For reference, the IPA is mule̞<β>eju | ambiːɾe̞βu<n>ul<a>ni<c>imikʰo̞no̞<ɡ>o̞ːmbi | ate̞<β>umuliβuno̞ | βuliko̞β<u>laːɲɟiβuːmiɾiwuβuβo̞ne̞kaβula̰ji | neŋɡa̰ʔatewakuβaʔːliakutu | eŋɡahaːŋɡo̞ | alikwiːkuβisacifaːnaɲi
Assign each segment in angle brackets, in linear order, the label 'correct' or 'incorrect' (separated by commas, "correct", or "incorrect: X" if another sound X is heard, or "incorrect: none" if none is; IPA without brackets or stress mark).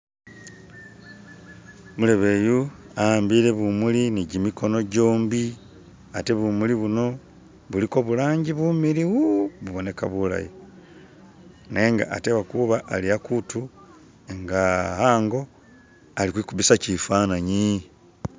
correct, incorrect: m, incorrect: i, incorrect: ɟ, incorrect: ɟ, correct, correct